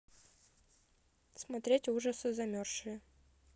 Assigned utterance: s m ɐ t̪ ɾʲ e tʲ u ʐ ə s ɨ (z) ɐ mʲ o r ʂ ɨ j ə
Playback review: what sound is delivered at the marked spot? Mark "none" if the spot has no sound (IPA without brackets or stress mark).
z